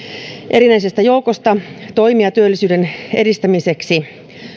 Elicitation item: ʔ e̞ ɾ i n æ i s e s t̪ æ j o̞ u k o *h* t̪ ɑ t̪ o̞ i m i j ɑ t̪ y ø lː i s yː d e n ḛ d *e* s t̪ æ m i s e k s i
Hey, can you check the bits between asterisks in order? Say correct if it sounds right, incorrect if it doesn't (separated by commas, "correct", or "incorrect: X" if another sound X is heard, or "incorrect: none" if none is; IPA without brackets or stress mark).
incorrect: s, incorrect: i